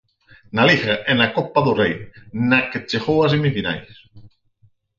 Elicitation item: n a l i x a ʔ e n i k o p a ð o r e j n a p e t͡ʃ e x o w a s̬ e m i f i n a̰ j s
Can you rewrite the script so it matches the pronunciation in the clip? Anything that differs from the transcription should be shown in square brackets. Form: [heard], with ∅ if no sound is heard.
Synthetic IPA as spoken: n a l i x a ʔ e n [a] k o p a ð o r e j n a [k] e t͡ʃ e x o w a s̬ e m i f i n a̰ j s